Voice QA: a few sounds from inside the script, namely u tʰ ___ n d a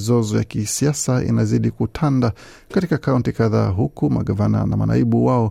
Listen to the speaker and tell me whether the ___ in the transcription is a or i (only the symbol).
a